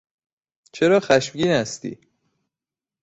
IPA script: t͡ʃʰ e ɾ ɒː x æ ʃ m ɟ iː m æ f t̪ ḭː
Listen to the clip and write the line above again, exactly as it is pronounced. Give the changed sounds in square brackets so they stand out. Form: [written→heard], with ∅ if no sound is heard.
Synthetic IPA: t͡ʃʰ e ɾ ɒː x æ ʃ m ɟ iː [m→n] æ [f→s] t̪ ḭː